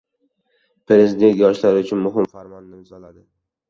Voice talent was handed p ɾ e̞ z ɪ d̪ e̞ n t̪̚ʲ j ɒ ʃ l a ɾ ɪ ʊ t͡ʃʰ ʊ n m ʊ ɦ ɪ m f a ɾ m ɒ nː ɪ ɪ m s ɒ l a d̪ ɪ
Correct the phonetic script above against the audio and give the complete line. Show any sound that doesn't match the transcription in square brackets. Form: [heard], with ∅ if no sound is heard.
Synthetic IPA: p ɾ e̞ z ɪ d̪ e̞ n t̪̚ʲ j ɒ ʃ l a ɾ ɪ ʊ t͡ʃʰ ʊ n m ʊ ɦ ɪ m f a ɾ m ɒ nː ɪ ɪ m [z] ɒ l a d̪ ɪ